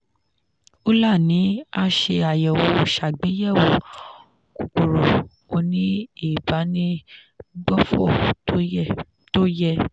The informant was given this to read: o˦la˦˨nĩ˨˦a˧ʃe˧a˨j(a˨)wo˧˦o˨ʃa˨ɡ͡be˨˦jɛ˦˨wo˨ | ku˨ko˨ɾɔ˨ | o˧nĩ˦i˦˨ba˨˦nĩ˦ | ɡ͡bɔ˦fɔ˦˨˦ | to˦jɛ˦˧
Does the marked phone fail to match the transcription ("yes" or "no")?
yes